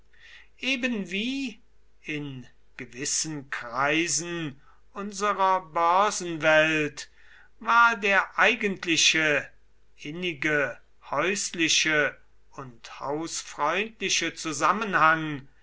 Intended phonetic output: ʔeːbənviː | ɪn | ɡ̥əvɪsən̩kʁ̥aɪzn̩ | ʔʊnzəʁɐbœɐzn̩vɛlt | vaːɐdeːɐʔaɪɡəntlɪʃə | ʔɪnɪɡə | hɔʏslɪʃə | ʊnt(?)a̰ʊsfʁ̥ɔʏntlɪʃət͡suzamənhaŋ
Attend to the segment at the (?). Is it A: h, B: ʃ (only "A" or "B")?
A